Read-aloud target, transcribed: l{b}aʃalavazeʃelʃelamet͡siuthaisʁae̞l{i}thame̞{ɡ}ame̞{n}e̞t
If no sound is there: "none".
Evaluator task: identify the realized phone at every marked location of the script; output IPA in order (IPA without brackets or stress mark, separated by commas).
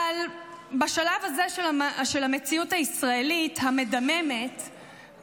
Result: b, i, d, m